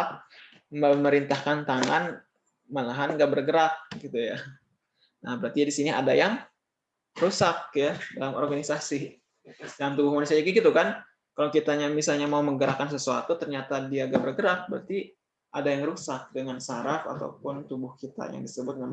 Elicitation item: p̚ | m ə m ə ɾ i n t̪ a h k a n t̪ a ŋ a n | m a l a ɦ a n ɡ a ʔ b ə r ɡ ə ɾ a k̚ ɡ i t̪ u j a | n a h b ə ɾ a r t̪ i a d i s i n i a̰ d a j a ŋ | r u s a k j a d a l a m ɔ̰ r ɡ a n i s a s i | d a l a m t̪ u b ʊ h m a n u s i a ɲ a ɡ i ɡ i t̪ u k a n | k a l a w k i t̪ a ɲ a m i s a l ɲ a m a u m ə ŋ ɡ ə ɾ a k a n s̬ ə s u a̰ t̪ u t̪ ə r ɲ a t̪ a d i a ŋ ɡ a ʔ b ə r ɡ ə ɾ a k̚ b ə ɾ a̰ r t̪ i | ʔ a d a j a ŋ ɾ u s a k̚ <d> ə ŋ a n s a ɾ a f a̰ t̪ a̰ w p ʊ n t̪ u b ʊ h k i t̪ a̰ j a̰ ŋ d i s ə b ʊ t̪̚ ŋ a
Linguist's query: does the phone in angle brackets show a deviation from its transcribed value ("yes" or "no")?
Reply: no